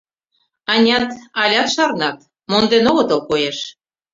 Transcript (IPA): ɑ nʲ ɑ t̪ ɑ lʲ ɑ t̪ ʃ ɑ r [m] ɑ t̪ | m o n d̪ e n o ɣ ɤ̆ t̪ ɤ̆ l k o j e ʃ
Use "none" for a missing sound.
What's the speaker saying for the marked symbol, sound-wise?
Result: n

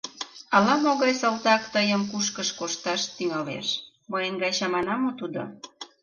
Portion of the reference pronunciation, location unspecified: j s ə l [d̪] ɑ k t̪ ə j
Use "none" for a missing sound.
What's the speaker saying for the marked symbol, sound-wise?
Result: t̪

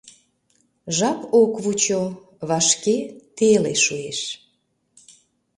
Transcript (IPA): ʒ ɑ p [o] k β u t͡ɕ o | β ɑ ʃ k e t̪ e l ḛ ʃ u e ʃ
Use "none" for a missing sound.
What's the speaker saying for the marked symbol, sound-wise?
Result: o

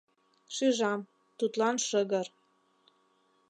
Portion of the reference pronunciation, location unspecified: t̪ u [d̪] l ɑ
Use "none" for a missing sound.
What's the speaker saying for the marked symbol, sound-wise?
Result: t̪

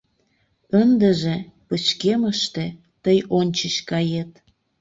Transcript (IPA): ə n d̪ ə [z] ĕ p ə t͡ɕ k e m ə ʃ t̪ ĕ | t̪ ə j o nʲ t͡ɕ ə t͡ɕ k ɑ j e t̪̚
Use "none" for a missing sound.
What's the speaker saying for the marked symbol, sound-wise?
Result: ʒ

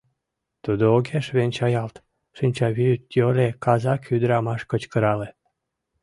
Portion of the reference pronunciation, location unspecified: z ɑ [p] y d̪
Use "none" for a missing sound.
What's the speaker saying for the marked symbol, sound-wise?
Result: k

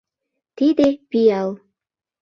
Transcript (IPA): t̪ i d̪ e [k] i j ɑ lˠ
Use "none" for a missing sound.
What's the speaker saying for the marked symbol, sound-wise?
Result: p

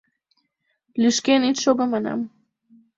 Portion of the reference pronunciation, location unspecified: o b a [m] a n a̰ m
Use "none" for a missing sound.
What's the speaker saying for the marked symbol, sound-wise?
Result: m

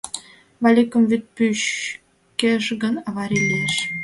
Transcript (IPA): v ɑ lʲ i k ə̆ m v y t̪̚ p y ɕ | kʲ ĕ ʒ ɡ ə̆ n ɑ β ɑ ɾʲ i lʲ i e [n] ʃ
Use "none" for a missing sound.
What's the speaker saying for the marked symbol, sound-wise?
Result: none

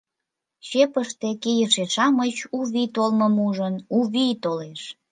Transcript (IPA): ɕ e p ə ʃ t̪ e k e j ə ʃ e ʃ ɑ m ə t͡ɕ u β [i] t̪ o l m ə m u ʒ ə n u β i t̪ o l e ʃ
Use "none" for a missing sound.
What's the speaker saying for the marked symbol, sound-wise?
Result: i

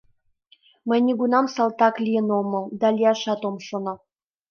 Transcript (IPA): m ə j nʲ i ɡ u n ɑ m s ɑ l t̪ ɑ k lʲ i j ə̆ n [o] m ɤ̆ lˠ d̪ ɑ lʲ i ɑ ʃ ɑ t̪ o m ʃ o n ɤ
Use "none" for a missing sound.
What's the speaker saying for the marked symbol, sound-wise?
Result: o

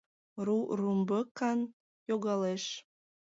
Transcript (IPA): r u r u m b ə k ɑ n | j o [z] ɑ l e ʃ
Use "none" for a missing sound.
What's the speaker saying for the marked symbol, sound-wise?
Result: ɣ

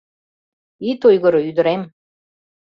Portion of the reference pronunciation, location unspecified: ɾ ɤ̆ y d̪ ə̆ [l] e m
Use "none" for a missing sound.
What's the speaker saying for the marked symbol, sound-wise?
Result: ɾ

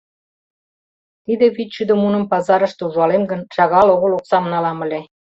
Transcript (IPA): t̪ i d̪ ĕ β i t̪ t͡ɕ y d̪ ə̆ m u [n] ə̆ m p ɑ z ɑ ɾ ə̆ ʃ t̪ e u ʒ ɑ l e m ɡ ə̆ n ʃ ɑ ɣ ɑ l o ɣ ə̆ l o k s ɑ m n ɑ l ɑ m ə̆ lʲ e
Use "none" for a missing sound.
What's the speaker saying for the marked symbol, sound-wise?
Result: n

